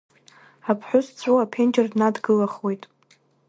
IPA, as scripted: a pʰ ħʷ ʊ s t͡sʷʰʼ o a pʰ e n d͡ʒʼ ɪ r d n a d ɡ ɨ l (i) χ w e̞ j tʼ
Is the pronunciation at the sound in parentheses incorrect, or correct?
incorrect